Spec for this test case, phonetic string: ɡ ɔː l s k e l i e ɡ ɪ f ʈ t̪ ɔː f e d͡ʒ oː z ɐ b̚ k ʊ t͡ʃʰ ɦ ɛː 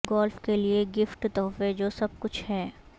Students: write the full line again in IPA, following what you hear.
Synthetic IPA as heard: ɡ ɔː l f k e l i e ɡ ɪ f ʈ t̪ ɔː f e d͡ʒ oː s ɐ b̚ k ʊ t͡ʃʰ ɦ ɛː